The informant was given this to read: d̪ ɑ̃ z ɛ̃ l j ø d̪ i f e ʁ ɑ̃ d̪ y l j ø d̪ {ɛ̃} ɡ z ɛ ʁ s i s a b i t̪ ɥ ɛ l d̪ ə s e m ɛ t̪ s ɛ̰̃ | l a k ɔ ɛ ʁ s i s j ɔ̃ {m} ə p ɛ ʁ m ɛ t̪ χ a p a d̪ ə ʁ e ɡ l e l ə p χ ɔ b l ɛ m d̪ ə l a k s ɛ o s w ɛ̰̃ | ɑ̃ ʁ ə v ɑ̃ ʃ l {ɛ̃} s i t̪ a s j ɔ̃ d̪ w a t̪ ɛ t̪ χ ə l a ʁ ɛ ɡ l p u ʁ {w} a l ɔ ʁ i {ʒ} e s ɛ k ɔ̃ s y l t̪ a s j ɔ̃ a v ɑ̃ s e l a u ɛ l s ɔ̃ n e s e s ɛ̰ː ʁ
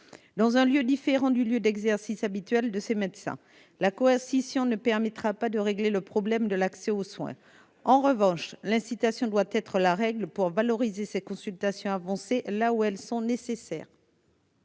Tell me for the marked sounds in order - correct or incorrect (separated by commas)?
incorrect, incorrect, correct, incorrect, incorrect